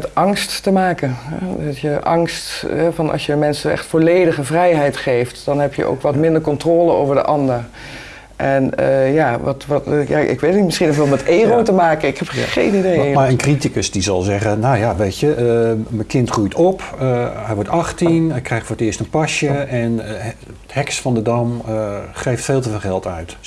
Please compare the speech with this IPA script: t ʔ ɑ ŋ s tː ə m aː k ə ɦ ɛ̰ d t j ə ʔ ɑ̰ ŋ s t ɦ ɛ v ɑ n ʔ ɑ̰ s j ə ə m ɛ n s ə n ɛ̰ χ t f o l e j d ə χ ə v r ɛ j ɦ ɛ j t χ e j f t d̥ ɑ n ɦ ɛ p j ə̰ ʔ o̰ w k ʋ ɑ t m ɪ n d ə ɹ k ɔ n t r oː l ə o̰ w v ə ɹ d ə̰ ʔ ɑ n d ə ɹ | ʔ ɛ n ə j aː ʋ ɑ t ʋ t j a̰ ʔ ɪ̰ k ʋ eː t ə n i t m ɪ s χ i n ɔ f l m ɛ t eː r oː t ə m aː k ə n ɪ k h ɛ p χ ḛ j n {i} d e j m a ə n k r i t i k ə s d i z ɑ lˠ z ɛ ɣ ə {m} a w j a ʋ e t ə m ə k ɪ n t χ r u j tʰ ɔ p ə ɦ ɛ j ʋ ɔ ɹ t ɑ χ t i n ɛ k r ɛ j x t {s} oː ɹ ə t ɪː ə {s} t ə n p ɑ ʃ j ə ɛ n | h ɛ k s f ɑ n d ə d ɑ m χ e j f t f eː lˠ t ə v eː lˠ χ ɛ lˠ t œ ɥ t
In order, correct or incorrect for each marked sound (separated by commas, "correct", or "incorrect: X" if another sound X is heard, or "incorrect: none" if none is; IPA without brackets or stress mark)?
correct, incorrect: n, incorrect: f, correct